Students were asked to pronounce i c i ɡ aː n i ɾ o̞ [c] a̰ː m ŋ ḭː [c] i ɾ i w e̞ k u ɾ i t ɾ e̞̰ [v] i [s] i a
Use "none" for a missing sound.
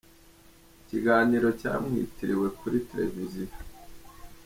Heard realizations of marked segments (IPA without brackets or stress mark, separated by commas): c, t, v, z